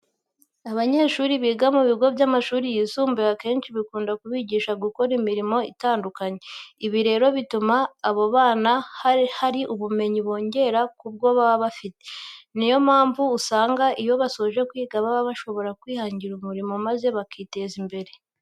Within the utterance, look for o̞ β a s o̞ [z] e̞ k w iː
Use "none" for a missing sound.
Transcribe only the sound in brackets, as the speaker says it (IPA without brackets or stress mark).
ʒ